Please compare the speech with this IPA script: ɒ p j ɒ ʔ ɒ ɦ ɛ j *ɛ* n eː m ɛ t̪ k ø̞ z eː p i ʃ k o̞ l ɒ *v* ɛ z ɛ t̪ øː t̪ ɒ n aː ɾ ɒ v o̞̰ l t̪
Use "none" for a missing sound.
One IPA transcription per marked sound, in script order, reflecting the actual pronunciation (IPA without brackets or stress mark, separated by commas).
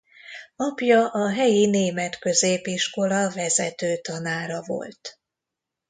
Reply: i, v